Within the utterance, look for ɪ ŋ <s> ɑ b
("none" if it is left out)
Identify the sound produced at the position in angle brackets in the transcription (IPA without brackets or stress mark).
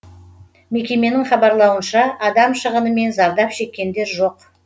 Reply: χ